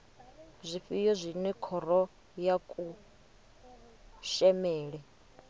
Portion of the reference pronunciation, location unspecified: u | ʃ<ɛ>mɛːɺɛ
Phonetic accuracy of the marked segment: correct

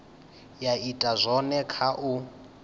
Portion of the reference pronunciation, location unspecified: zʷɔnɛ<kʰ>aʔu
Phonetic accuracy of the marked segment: correct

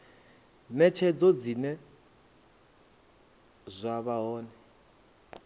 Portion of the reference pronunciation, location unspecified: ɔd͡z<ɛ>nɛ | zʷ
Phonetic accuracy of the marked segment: incorrect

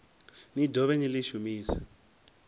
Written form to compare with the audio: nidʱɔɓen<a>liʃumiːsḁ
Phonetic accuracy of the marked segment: incorrect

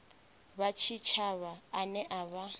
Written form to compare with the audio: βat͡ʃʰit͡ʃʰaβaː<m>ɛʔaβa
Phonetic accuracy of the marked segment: incorrect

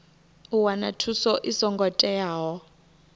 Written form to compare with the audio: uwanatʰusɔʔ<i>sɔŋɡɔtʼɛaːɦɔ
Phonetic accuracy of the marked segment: correct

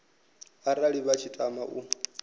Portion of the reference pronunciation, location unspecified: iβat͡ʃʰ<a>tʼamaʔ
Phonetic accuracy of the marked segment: incorrect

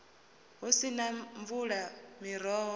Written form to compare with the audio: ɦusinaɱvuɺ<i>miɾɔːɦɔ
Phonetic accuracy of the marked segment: incorrect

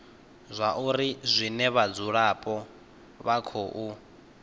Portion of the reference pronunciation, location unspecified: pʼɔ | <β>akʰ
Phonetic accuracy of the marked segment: correct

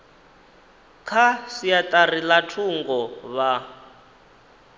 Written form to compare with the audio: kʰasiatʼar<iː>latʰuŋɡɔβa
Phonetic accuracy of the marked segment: incorrect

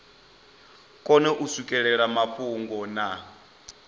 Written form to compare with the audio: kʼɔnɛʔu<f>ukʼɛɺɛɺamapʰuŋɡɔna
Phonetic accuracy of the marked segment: incorrect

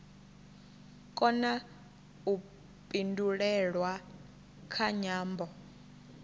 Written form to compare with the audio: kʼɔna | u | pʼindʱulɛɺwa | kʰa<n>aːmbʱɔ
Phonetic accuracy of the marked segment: incorrect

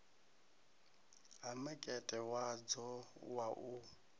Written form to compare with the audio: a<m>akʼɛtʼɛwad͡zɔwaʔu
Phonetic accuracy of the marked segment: correct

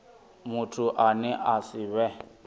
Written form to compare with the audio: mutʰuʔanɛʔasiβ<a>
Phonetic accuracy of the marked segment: incorrect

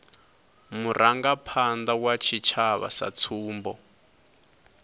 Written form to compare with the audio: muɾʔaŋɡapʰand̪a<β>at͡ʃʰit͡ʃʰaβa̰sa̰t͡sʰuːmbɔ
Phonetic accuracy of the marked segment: incorrect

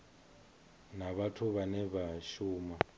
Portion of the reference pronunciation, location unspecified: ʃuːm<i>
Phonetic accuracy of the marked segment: incorrect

